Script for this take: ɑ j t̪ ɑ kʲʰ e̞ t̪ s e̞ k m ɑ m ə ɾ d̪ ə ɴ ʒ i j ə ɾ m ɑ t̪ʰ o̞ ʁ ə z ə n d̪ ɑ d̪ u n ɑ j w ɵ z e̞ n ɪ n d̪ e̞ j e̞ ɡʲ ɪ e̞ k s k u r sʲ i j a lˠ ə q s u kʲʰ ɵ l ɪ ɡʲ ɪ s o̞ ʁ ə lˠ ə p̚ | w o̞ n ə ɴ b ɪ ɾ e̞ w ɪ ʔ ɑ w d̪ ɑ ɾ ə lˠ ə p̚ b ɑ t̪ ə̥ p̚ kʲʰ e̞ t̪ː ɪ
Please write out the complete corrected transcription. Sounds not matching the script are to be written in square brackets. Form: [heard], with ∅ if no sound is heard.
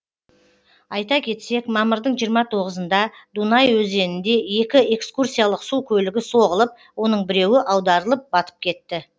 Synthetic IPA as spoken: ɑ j t̪ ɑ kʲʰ e̞ t̪ s e̞ k m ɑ m ə ɾ d̪ ə ɴ ʒ i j ə ɾ m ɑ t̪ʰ o̞ ʁ ə z ə n d̪ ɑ d̪ u n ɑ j w ɵ z e̞ n ɪ n d̪ e̞ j e̞ [kʲ] ɪ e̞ k s k u r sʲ i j a lˠ ə q s u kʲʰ ɵ l ɪ ɡʲ ɪ s o̞ ʁ ə lˠ ə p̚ | w o̞ n ə ɴ b ɪ ɾ e̞ w ɪ ʔ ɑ w d̪ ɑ ɾ ə lˠ ə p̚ b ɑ t̪ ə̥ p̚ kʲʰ e̞ t̪ː ɪ

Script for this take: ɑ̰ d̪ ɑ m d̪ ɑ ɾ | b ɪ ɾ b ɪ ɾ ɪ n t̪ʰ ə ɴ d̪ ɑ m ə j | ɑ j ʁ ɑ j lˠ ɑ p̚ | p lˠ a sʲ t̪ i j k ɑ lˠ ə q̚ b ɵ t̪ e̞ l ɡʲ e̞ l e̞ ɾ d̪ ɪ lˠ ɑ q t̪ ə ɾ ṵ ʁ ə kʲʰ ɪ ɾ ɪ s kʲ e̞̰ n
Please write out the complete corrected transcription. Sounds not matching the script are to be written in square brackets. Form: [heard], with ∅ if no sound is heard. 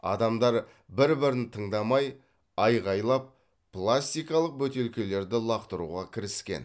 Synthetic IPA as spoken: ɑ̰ d̪ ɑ m d̪ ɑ ɾ | b ɪ ɾ b ɪ ɾ ɪ n t̪ʰ ə ɴ d̪ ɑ m [ɑ] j | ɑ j ʁ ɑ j lˠ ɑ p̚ | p lˠ a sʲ t̪ i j k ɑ lˠ ə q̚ b ɵ t̪ e̞ l [kʲ] e̞ l e̞ ɾ d̪ ɪ lˠ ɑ q t̪ ə ɾ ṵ ʁ [ɑ] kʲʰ ɪ ɾ ɪ s kʲ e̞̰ n

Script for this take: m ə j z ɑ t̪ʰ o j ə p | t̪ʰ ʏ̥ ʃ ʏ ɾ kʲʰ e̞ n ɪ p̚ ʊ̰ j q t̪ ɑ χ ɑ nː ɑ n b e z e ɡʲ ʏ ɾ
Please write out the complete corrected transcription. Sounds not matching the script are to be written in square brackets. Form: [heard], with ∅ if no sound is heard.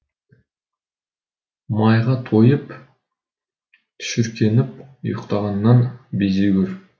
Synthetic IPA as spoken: m [ɑ] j [ʁ] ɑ t̪ʰ o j ə p | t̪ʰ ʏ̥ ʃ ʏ ɾ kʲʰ e̞ n ɪ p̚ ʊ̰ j q t̪ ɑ [ʁ] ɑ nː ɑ n b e z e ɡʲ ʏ ɾ

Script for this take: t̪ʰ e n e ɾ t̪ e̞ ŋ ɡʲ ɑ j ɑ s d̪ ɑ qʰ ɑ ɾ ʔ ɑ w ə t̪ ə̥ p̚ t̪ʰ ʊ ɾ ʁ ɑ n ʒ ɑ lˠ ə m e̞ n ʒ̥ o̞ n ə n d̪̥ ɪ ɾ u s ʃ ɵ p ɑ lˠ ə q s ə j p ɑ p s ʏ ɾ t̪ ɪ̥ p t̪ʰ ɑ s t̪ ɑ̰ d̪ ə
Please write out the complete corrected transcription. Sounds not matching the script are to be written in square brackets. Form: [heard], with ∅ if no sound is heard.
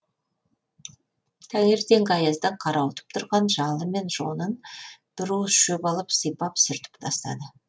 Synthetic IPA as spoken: t̪ʰ [æ] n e ɾ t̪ e̞ ŋ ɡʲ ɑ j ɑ [z] d̪ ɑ qʰ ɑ ɾ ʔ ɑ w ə t̪ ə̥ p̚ t̪ʰ ʊ ɾ ʁ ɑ n ʒ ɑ lˠ ə m e̞ n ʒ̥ o̞ n ə n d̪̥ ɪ ɾ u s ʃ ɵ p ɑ lˠ ə [p] s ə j p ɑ p s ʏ ɾ t̪ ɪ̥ p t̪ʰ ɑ s t̪ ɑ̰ d̪ ə

